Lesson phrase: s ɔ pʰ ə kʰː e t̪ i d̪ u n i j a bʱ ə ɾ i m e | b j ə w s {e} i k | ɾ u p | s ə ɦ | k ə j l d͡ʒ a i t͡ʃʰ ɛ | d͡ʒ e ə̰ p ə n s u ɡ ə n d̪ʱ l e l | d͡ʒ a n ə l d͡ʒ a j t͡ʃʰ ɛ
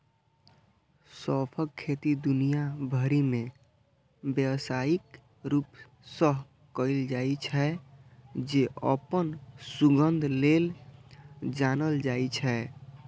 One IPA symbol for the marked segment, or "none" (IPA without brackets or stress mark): a